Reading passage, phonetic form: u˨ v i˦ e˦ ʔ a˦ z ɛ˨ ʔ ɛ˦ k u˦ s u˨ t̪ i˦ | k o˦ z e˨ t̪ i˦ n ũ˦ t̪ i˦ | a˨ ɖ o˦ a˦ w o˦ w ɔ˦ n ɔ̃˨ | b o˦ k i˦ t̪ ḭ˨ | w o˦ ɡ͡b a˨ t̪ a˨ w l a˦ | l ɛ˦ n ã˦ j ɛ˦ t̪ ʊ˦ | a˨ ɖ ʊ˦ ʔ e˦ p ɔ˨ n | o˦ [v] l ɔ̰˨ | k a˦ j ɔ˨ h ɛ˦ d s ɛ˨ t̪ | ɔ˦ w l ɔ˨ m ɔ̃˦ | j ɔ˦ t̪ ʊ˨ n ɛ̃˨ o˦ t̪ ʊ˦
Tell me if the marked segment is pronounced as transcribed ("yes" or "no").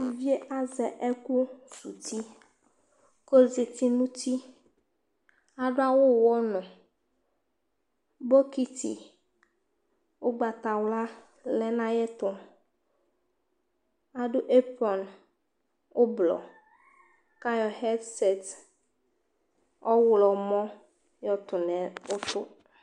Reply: no